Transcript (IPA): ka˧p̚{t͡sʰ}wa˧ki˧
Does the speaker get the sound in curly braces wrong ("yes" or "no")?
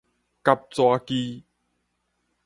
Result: yes